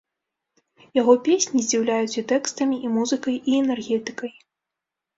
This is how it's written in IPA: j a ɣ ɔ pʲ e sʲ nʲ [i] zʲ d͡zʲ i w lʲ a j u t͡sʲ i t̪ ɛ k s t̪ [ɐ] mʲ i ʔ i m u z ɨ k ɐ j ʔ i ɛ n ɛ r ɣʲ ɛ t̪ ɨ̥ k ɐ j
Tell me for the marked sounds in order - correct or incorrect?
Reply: correct, correct

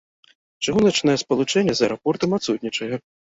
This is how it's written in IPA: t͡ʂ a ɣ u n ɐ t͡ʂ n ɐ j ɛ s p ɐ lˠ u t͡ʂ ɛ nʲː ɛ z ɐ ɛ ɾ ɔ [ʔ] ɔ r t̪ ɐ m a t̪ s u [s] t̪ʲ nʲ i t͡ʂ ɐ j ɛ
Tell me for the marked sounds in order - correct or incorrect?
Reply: incorrect: p, incorrect: none

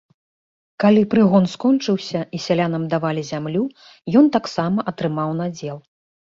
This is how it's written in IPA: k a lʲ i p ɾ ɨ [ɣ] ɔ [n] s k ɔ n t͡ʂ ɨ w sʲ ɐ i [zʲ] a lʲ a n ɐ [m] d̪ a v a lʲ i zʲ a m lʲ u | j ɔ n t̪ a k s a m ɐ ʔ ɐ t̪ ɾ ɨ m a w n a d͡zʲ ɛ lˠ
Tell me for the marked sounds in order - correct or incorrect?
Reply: correct, correct, incorrect: sʲ, correct

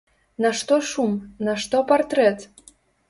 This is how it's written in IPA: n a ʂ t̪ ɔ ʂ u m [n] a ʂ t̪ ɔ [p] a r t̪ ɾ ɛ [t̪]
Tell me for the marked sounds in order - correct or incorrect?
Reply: correct, correct, correct

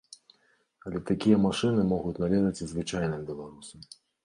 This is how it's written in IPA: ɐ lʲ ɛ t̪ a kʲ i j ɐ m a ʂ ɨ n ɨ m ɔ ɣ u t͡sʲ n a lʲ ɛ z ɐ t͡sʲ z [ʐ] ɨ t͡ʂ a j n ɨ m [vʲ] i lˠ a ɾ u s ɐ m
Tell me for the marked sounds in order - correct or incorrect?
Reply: incorrect: v, incorrect: bʲ

